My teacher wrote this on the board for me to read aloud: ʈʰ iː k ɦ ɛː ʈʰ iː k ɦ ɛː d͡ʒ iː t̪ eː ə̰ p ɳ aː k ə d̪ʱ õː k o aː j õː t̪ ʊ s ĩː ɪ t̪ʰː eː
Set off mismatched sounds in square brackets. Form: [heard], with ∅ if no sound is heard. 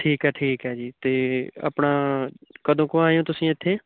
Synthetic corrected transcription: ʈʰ iː k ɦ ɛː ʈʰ iː k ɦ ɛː d͡ʒ iː t̪ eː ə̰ p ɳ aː k ə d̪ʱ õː k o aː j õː t̪ ʊ s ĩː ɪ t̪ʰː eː